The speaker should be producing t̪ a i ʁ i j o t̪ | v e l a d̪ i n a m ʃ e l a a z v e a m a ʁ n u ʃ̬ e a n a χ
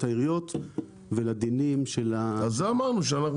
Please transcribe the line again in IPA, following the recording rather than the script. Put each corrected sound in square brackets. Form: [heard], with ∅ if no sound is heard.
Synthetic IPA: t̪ a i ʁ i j o t̪ | v e l a d̪ i n [i] m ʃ e l a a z [z] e a m a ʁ n u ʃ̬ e a n a χ